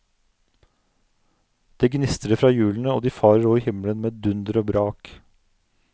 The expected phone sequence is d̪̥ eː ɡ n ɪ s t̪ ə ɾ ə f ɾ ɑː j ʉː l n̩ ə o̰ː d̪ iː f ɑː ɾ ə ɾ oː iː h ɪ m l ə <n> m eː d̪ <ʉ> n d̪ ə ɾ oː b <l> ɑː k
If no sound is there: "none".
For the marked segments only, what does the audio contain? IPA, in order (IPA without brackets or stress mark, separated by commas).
n, ʉ, ɾ